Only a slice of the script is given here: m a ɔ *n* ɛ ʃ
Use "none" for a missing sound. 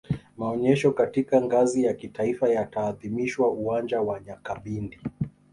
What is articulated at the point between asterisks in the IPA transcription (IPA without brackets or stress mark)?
ɲ